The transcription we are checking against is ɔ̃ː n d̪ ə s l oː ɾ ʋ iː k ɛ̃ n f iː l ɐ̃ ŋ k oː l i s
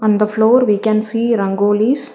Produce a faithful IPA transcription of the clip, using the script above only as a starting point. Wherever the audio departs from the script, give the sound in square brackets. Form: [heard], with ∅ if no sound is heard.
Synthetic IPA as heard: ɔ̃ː n d̪ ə [f] l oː ɾ ʋ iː k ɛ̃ n [s] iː [ɾ] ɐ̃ ŋ [ɡ] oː l i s